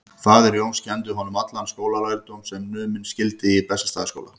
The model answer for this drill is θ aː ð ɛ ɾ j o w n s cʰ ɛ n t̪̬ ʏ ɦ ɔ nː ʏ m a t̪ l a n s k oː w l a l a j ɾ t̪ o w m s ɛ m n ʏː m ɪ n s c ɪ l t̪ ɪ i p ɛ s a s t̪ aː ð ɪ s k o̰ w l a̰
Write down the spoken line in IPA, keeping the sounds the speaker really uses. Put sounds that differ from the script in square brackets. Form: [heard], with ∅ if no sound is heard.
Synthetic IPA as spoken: θ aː ð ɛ ɾ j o w n s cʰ ɛ n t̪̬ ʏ ɦ ɔ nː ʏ m a t̪ l a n s k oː w l a l a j ɾ t̪ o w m s ɛ m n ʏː m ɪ n s c ɪ l t̪ ɪ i p ɛ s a s t̪ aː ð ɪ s k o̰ w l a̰